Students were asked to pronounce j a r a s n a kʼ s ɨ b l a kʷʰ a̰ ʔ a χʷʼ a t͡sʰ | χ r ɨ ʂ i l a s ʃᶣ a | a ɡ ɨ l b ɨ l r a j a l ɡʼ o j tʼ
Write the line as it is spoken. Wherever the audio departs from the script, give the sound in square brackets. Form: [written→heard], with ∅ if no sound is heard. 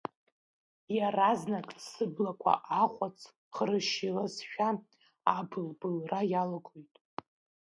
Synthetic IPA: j a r a [s→z] n a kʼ s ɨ b l a kʷʰ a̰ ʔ a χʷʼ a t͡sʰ | χ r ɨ [ʂ→ʃ] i l a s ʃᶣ a | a [ɡ→b] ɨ l b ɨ l r a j a l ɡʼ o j tʼ